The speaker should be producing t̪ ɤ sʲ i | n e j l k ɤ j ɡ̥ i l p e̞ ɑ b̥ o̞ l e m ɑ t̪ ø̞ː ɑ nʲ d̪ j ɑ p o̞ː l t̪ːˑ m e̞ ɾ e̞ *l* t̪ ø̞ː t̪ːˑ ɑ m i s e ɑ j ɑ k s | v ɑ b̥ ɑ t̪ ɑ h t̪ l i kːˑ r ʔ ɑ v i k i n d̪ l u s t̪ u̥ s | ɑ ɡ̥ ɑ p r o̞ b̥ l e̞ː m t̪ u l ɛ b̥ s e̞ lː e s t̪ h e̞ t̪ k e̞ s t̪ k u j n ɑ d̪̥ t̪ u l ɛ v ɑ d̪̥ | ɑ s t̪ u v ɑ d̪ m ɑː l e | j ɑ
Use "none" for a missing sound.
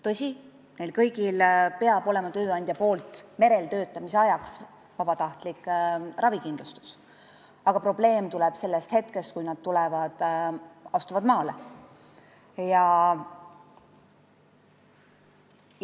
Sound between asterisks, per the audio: l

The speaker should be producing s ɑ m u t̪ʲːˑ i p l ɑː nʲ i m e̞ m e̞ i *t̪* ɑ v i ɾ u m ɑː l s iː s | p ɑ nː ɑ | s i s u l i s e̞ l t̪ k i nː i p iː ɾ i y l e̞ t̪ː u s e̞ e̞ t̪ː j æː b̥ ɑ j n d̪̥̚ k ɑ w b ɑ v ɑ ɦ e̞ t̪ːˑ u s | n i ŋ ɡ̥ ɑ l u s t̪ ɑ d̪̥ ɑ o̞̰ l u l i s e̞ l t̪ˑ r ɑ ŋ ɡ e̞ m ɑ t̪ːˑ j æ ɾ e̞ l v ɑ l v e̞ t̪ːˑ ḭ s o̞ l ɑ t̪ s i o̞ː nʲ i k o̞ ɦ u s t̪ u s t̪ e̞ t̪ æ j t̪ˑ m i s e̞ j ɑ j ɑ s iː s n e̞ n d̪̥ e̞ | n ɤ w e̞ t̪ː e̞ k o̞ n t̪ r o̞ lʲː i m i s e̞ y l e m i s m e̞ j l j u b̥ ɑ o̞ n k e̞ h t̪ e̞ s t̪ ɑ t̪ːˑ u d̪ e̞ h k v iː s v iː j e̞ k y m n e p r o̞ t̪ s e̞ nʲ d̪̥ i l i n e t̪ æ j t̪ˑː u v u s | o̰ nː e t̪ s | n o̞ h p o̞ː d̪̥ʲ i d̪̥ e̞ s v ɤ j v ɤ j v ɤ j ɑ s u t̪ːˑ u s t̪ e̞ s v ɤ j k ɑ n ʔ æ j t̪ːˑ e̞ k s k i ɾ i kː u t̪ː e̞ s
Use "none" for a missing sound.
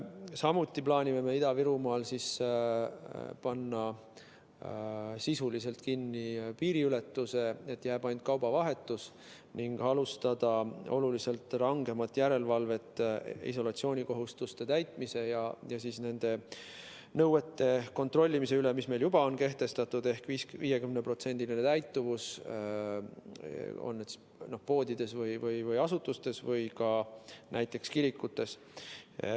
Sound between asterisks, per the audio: d̪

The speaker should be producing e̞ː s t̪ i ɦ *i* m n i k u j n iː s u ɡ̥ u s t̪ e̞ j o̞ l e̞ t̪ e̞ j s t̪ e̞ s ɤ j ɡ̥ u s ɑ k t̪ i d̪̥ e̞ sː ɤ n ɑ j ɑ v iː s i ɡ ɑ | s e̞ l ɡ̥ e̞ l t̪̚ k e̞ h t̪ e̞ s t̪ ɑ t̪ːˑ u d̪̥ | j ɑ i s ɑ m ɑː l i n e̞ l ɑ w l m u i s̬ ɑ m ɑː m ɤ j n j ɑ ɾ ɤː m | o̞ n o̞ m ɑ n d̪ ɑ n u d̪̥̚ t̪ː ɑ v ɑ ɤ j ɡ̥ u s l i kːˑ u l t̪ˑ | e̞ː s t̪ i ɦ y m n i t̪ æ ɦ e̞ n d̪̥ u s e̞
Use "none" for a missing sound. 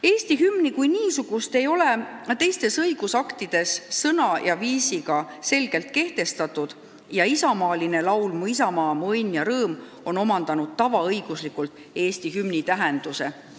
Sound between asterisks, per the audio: y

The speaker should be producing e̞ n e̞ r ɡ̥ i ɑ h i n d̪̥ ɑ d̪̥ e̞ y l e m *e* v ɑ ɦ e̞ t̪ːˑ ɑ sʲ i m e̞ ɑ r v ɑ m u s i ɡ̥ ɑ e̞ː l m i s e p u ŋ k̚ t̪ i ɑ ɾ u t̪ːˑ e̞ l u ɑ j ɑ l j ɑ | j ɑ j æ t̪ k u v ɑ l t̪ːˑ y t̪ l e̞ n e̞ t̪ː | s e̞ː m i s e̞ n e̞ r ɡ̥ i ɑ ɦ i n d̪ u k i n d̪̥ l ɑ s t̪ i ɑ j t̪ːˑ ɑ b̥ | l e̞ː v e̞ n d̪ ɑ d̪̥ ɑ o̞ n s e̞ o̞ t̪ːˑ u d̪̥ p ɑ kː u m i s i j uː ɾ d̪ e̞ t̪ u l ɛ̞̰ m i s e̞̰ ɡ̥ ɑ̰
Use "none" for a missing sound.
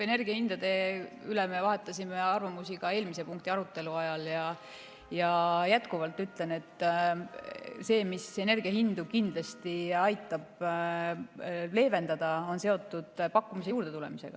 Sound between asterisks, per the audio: e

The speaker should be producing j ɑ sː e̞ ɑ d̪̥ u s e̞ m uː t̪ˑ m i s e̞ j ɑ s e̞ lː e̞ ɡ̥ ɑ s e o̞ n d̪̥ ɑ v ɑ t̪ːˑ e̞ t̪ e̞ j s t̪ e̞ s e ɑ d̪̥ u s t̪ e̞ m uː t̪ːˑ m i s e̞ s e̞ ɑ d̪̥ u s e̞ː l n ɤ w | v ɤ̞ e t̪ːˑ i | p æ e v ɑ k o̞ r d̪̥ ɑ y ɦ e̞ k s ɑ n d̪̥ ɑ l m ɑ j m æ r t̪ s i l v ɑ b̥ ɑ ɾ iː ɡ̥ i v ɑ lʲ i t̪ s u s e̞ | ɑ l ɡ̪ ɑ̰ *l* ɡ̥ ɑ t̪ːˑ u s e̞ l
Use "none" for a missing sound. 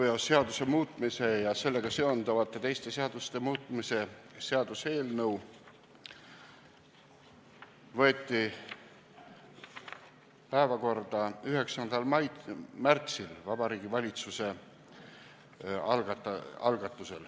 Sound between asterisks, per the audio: l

